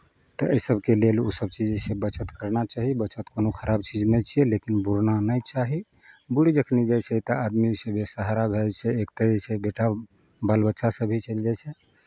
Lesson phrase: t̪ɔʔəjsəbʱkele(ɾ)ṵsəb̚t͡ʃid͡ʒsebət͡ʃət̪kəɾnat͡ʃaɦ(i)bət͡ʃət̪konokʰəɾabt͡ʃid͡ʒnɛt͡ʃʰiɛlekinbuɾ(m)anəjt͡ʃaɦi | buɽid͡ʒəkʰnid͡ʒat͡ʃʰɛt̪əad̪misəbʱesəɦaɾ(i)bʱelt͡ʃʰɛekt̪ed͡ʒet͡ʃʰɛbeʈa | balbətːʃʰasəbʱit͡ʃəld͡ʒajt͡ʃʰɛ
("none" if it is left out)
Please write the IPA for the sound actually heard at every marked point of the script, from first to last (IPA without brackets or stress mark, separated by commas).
l, i, n, a